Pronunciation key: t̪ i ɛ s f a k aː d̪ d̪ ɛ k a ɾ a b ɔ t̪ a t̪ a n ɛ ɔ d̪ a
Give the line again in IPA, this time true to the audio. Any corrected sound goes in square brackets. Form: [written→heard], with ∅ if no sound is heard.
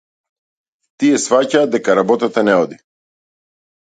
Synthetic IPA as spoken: t̪ i ɛ s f a [k→c] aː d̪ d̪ ɛ k a ɾ a b ɔ t̪ a t̪ a n ɛ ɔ d̪ [a→i]